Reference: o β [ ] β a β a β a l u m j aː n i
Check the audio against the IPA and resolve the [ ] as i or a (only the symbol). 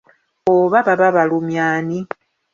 a